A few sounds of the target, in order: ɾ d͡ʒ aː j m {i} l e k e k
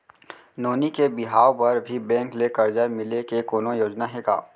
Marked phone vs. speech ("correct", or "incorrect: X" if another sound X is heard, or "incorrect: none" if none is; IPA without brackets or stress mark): incorrect: ɪ